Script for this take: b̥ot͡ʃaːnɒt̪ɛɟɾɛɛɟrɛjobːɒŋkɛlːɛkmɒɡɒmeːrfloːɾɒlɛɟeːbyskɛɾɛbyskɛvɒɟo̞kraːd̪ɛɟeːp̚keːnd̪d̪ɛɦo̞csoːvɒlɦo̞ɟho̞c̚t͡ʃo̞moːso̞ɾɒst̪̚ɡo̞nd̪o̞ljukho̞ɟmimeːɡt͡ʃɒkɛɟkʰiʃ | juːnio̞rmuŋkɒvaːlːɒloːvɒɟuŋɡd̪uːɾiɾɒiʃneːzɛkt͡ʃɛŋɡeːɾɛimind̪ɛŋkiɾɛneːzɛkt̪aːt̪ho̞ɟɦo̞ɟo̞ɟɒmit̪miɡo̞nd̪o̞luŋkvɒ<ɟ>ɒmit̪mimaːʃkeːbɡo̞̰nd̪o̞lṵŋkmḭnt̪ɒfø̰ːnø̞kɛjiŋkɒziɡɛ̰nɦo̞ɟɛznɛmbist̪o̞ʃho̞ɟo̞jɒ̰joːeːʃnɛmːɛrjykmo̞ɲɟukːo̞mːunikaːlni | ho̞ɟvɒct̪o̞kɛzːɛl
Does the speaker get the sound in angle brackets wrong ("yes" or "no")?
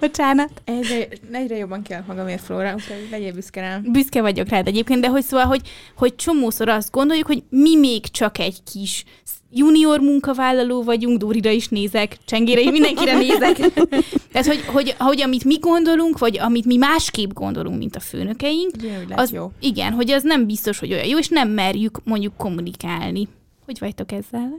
no